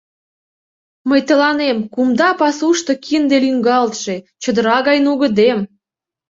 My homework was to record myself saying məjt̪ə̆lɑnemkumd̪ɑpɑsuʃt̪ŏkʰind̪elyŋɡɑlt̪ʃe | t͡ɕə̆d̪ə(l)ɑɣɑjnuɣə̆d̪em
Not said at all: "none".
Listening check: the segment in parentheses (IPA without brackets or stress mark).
ɾ